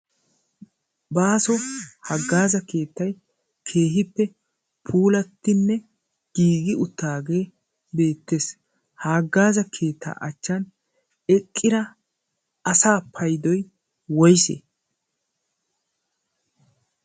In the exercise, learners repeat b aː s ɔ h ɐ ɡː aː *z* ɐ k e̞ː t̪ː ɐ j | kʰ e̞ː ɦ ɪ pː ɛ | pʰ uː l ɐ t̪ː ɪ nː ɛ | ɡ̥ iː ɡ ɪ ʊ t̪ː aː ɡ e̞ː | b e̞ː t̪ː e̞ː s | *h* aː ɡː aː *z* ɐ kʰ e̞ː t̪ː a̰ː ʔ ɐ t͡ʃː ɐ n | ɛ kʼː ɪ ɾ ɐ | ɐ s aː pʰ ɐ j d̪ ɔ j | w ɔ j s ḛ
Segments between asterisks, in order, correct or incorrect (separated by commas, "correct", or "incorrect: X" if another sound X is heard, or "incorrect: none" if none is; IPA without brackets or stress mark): correct, correct, correct